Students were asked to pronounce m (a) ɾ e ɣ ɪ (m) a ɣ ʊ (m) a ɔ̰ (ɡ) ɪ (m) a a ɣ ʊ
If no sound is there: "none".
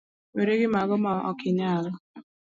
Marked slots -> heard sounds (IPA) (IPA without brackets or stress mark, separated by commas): e, m, m, k, ɲ